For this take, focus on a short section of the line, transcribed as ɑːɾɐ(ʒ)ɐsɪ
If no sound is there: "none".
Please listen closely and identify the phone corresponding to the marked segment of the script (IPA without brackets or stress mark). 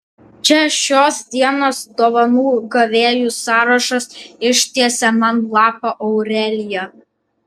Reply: ʃ